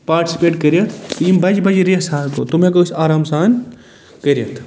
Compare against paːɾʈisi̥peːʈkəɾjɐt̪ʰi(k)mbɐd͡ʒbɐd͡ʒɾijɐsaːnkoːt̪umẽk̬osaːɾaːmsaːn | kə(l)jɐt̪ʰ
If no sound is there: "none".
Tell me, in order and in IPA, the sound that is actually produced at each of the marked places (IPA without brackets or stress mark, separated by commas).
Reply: none, ɾ